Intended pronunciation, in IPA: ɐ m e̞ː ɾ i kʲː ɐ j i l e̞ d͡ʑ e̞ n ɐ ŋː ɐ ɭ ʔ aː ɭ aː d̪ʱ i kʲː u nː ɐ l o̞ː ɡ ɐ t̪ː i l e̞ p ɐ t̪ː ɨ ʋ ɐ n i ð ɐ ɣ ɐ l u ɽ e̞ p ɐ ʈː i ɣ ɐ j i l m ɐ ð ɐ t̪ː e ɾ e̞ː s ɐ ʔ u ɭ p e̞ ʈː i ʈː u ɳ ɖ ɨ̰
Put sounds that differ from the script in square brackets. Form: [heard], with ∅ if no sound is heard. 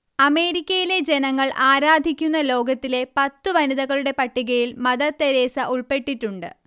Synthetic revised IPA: ɐ m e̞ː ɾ i kʲː ɐ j i l e̞ d͡ʑ e̞ n ɐ ŋː ɐ ɭ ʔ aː [ɾ] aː d̪ʱ i kʲː u nː ɐ l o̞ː ɡ ɐ t̪ː i l e̞ p ɐ t̪ː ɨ ʋ ɐ n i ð ɐ ɣ ɐ [ɭ] u ɽ e̞ p ɐ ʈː i ɣ ɐ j i l m ɐ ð ɐ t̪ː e ɾ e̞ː s ɐ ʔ u ɭ p e̞ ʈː i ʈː u ɳ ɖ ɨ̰